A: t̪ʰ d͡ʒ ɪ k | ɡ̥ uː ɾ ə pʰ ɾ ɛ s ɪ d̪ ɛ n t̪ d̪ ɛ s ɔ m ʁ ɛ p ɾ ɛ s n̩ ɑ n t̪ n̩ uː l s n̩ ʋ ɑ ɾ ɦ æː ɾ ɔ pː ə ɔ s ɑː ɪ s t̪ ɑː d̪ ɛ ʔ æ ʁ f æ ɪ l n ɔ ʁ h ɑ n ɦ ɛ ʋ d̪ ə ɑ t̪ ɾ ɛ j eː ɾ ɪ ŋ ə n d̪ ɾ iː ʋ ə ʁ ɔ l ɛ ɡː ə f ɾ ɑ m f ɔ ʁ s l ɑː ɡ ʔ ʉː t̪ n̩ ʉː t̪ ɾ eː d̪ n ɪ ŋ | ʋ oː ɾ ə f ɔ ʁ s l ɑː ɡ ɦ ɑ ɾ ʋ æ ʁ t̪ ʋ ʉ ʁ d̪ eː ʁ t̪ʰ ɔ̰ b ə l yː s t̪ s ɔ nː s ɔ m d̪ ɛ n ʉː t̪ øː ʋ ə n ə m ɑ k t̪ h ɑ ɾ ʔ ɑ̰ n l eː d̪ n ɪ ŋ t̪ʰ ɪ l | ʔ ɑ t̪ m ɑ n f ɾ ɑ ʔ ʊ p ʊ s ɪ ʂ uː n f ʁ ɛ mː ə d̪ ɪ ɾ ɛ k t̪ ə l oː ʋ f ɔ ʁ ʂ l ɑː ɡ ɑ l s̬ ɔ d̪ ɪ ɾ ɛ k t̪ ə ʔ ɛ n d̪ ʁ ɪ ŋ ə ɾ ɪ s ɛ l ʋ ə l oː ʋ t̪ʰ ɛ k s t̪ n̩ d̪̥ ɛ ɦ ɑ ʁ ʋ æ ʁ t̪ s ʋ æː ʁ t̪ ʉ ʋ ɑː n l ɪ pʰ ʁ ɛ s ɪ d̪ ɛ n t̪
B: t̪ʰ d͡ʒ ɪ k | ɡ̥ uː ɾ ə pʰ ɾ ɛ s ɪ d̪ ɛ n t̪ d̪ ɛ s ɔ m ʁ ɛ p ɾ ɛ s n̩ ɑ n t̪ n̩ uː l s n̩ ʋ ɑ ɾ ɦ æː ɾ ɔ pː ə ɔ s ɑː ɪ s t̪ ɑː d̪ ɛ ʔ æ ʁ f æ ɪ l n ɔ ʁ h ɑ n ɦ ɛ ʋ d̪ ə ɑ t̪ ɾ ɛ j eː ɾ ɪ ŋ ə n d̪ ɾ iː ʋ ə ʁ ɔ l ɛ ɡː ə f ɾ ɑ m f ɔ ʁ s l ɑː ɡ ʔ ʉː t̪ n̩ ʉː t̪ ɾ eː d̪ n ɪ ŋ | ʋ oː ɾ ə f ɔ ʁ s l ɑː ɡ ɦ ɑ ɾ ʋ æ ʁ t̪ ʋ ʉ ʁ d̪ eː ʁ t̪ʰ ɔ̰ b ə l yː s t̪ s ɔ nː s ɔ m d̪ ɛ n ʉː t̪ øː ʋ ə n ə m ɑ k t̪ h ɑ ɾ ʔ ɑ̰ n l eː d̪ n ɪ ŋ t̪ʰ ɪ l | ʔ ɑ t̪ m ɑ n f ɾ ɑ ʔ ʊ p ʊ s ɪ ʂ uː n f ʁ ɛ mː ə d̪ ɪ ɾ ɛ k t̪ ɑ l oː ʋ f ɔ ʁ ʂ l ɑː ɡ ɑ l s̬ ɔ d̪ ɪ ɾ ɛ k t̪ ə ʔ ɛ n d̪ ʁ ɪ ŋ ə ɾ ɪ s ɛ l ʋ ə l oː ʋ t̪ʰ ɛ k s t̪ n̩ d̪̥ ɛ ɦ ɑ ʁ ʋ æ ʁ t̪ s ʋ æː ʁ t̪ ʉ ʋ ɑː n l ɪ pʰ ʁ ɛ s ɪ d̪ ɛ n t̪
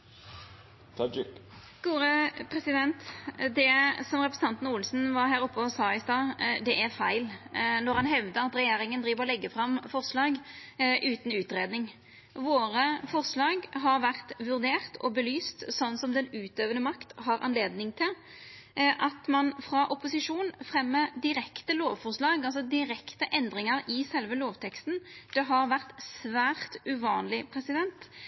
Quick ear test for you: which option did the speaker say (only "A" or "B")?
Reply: A